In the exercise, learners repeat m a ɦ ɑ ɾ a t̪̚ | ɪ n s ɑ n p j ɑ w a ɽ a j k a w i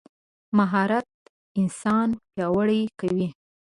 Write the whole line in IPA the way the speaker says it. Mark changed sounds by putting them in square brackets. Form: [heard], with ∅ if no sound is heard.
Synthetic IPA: m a ɦ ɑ ɾ a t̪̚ | ɪ n s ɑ n p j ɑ w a ɽ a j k a w i

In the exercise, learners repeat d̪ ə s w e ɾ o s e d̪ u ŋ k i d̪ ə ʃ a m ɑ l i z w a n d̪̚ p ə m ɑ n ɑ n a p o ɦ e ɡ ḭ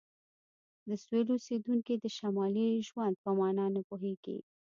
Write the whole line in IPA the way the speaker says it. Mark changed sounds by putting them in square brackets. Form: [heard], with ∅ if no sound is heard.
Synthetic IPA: d̪ ə s w e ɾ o s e d̪ u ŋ k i d̪ ə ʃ a m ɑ l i [ʒ] w a n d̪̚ p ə m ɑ n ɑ n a p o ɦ e ɡ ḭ

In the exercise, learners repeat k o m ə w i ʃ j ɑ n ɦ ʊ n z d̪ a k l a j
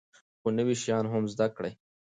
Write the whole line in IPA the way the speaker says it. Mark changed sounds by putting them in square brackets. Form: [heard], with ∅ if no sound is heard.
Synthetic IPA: [x] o [n] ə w i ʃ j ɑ n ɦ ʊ [m] z d̪ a k [ɽ] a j

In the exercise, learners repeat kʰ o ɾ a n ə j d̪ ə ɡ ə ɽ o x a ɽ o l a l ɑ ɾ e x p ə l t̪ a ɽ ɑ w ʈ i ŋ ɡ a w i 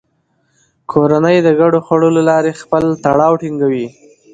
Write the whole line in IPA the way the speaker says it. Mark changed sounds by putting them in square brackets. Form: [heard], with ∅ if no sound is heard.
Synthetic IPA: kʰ o ɾ a n ə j d̪ ə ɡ [a] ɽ o x a ɽ o l a l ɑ ɾ e x p ə l t̪ a ɽ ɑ w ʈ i ŋ ɡ a w i

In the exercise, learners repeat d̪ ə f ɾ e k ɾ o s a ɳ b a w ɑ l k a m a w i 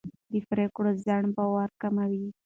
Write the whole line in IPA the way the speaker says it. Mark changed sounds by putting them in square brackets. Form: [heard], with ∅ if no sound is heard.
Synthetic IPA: d̪ ə f ɾ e k [ɽ] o [z] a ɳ b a w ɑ [ɾ] k a m a w i

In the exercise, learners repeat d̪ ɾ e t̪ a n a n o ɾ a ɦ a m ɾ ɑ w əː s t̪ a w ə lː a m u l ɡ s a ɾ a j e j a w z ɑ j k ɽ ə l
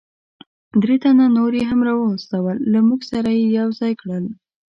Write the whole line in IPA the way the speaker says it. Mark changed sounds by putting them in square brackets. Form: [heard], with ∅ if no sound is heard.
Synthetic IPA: d̪ ɾ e t̪ a n a n o ɾ [e] ɦ a m ɾ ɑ w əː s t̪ a w ə lː a m u [∅] ɡ s a ɾ a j e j a w z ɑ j k ɽ ə l

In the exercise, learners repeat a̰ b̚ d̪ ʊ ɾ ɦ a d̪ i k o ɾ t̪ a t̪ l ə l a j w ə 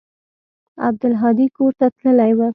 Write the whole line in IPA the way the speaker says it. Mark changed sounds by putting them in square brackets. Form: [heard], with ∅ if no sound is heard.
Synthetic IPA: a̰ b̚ d̪ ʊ [l] ɦ [ɑ] d̪ i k o ɾ t̪ a t̪ l ə l a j w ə

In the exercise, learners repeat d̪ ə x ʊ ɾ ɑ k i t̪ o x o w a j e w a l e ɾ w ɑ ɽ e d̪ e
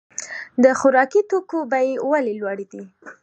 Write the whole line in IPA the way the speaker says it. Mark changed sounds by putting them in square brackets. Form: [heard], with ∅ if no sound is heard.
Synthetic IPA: d̪ ə x ʊ ɾ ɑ k i t̪ o [k] o [b] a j e w a l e [l] w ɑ ɽ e d̪ [i]

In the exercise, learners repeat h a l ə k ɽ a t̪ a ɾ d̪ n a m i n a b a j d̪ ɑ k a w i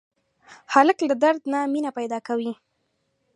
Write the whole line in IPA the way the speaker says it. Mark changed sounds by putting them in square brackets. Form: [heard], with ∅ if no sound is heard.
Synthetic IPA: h a l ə k [l] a [d̪] a ɾ d̪ n a m i n a [p] a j d̪ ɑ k a w i

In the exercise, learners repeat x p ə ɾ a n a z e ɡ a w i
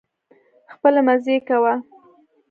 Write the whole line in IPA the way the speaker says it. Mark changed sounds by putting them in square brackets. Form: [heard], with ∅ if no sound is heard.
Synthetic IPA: x p ə [l] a [m] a z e [k] a w [a]

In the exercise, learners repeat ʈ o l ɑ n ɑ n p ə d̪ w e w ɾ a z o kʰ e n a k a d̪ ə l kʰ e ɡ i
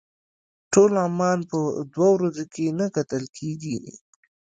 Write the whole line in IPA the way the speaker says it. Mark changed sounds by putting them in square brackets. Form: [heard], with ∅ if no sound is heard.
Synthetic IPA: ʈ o l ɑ [m] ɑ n p ə d̪ w [a] w ɾ a z o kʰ e n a k a [t̪] ə l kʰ e ɡ i

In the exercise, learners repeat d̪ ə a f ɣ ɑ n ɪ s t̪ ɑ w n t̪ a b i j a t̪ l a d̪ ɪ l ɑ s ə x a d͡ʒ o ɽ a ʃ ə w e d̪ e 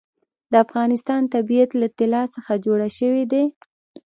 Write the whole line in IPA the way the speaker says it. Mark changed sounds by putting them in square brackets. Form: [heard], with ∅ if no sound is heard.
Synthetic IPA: d̪ ə a f ɣ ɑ n ɪ s t̪ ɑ [∅] n t̪ a b i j a t̪ l a [t̪] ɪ l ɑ s ə x a d͡ʒ o ɽ a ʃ ə w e d̪ e

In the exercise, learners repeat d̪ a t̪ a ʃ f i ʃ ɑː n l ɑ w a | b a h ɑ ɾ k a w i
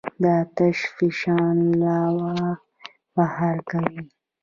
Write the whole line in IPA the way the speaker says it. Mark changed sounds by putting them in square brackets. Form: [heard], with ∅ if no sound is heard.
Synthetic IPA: d̪ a t̪ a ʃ f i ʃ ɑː n l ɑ w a | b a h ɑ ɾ k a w i

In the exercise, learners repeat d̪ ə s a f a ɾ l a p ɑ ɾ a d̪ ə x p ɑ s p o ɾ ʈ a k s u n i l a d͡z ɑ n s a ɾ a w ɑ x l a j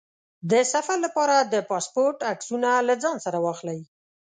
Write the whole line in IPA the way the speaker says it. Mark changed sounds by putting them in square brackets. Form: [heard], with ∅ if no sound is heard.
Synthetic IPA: d̪ ə s a f a ɾ l a p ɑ ɾ a d̪ ə [∅] p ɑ s p o ɾ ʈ a k s u n [a] l a d͡z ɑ n s a ɾ a w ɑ x l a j

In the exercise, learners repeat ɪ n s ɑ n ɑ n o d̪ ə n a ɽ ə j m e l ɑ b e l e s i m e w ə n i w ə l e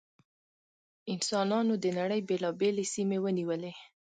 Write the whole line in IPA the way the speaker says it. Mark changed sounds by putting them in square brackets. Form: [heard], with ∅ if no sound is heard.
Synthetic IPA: ɪ n s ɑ n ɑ n o d̪ ə n a ɽ ə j [b] e l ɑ b e l e s i m e w ə n i w ə l e

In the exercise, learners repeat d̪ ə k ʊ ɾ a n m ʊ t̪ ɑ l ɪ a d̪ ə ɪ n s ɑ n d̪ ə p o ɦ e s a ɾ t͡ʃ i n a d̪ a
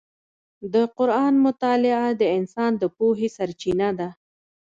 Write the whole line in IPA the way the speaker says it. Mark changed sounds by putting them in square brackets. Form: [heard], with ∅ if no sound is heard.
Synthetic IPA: d̪ ə [q] ʊ ɾ [ɑ] n m ʊ t̪ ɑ l ɪ a d̪ ə ɪ n s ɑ n d̪ ə p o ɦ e s a ɾ t͡ʃ i n a d̪ a

